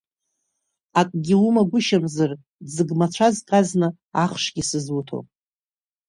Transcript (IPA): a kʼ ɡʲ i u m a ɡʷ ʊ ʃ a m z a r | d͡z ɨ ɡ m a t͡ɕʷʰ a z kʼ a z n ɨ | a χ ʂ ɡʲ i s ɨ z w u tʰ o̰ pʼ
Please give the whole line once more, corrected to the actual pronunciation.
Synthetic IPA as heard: a kʼ ɡʲ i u m a ɡʷ ʊ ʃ a m z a r | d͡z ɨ ɡ m a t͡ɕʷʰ a z kʼ a z n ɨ | a χ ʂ ɡʲ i s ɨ z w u tʰ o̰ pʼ